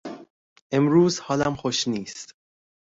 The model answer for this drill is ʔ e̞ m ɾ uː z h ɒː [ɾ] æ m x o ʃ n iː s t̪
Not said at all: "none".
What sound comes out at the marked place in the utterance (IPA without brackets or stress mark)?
l